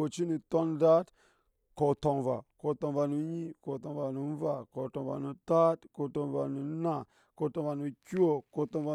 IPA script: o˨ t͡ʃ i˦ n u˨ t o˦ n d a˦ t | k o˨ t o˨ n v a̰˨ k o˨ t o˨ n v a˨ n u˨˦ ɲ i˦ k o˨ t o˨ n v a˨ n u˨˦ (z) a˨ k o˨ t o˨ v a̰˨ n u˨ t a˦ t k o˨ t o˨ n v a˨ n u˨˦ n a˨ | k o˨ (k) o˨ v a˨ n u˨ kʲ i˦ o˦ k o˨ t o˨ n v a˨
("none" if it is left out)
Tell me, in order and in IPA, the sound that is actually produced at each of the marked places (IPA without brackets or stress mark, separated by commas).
v, t